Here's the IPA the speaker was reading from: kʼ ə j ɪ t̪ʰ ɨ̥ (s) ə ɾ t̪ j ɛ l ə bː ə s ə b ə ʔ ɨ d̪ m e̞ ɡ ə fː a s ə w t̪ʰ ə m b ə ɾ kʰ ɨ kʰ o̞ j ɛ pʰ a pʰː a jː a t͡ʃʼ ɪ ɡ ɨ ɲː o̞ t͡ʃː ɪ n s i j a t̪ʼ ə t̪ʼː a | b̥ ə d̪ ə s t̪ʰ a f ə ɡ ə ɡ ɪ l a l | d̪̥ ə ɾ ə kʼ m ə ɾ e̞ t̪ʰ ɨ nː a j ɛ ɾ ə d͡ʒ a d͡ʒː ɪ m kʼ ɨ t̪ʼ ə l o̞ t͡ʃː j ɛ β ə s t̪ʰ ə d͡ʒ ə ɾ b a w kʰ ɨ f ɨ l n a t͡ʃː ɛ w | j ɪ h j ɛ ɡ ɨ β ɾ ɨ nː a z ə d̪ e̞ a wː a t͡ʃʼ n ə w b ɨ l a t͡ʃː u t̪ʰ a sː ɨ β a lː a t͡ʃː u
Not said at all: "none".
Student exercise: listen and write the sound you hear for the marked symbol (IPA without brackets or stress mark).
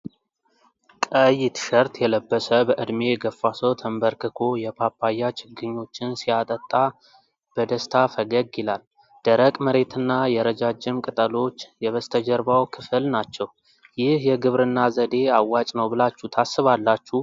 ʃ